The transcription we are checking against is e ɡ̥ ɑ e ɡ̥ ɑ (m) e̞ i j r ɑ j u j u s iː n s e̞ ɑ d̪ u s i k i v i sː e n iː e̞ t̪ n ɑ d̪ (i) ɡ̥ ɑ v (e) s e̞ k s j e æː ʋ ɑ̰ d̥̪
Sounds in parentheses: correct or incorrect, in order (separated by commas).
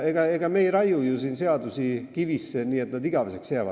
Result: correct, correct, correct